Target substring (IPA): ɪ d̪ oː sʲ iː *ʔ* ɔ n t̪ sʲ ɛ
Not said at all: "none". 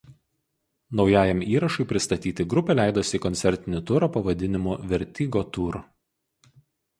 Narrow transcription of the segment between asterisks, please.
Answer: k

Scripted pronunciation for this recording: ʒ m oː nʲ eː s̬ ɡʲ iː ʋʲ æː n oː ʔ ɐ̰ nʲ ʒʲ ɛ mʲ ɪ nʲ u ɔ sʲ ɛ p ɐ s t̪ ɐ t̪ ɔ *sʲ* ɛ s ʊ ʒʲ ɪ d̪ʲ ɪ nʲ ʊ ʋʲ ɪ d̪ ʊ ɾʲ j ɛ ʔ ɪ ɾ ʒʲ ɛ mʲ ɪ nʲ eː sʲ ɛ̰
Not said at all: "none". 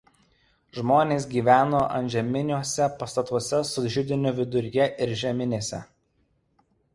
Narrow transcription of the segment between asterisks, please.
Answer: sʲ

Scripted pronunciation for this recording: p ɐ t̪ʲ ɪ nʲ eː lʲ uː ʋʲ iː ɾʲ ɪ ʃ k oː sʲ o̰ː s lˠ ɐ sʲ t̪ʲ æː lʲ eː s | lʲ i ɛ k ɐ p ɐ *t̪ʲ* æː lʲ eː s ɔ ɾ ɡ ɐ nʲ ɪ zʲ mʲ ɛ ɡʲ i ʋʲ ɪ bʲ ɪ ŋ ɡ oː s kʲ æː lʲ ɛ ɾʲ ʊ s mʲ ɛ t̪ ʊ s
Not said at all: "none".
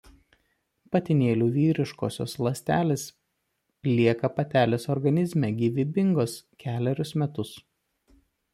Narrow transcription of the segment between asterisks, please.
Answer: t̪ʲ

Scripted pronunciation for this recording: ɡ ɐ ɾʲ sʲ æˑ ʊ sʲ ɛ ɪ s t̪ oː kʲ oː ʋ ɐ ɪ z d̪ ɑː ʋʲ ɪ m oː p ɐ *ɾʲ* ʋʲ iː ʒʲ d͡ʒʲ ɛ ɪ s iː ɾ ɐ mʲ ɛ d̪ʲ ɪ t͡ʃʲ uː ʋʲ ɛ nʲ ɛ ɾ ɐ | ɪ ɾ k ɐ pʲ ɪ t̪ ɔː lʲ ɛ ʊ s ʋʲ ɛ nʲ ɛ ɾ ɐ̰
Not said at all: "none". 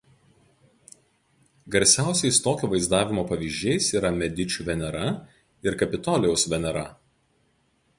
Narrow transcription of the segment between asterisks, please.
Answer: none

